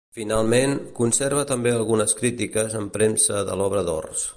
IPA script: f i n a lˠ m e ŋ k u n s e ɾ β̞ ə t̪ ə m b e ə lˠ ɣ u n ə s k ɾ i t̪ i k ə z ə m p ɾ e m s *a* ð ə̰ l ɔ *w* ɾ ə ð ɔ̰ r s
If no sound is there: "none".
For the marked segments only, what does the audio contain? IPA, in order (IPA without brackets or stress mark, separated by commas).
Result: ə, β